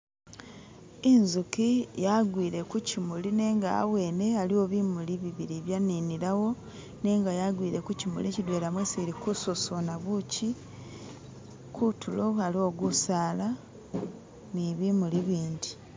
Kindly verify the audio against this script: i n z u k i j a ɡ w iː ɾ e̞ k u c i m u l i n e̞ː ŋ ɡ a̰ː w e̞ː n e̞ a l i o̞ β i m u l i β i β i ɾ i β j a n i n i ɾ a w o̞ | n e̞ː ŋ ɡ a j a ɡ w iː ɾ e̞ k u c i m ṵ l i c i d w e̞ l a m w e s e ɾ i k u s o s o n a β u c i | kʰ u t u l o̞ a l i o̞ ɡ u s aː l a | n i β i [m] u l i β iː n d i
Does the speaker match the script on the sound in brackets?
yes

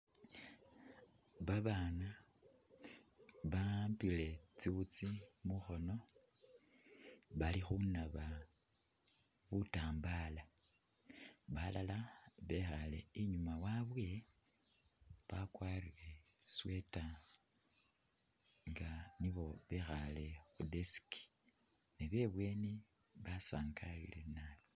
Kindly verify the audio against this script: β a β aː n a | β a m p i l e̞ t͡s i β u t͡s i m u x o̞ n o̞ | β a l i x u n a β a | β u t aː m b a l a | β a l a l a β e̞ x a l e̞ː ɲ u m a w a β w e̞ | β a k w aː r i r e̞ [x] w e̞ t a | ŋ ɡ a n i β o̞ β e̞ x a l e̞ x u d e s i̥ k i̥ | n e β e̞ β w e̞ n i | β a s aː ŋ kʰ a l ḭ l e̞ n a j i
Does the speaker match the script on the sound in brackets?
no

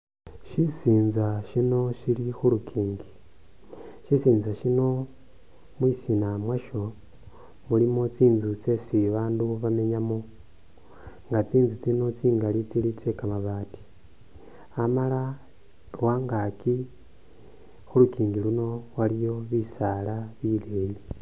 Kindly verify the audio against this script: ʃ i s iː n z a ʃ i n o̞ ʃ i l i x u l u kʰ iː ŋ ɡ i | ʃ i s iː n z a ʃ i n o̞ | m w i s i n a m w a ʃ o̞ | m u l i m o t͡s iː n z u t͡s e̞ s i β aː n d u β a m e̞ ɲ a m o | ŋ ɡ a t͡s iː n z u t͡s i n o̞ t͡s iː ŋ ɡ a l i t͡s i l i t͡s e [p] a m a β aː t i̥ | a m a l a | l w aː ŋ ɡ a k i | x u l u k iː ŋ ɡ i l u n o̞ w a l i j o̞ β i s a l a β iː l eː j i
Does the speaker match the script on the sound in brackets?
no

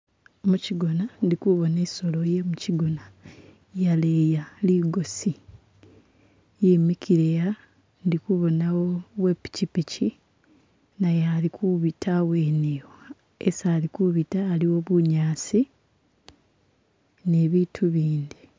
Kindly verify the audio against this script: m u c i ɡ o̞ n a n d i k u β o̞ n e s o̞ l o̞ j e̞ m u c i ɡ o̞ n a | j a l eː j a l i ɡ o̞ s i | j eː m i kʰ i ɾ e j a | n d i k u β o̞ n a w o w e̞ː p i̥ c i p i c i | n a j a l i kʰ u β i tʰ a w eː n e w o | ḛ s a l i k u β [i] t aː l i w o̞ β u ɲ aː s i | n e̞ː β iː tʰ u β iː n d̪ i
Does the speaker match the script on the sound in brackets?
yes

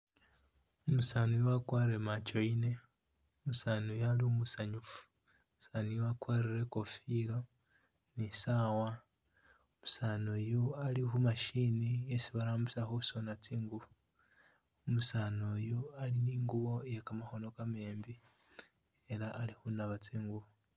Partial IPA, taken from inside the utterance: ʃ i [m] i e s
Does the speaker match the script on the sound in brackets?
no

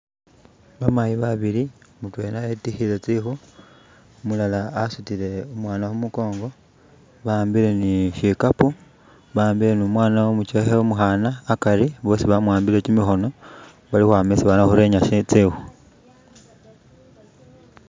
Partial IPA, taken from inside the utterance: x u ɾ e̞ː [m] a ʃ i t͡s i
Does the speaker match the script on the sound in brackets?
no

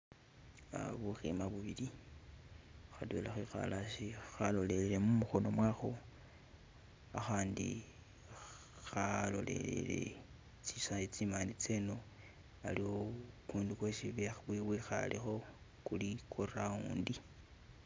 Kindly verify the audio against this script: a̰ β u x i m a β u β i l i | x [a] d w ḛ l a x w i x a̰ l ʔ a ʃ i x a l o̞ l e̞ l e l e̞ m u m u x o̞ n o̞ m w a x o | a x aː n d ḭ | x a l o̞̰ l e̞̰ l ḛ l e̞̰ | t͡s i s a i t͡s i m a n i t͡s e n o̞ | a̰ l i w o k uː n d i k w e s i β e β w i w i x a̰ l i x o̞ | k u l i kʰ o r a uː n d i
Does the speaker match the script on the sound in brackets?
yes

